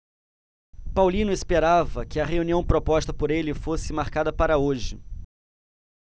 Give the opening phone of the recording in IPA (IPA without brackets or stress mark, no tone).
p